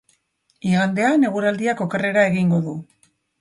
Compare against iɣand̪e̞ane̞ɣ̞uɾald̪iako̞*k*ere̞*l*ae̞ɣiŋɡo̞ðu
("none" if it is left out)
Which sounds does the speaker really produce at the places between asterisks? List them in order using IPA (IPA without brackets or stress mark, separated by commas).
k, ɾ